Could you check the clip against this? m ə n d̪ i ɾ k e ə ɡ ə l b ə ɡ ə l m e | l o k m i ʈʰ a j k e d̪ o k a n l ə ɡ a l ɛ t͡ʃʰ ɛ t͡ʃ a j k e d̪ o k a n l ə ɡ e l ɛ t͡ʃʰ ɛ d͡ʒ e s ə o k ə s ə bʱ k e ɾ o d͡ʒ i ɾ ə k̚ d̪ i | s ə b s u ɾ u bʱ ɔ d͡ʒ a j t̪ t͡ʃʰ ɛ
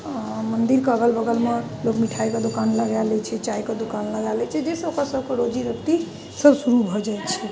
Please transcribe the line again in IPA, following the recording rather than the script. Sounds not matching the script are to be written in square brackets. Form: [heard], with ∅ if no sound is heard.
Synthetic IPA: m ə n d̪ i ɾ k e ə ɡ ə l b ə ɡ ə l m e | l o k m i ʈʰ a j k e d̪ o k a n l ə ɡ a l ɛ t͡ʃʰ ɛ t͡ʃ a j k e d̪ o k a n l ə ɡ [a] l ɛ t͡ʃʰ ɛ d͡ʒ e s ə o k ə s ə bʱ k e ɾ o d͡ʒ i ɾ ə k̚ [t̪] i | s ə b s u ɾ u bʱ ɔ d͡ʒ a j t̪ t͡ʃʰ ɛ